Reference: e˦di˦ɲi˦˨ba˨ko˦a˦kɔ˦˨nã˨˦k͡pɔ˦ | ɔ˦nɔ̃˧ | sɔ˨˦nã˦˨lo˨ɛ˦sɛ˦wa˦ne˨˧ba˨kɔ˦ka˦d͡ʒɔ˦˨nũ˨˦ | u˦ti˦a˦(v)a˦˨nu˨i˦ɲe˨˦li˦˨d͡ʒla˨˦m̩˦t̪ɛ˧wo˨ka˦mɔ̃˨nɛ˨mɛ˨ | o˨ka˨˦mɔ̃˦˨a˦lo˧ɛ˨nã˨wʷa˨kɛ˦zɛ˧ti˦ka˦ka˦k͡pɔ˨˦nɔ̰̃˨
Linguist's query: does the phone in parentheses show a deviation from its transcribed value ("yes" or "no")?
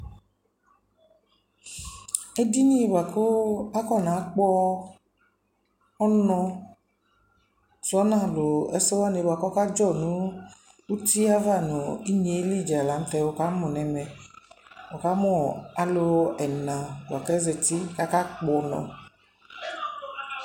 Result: no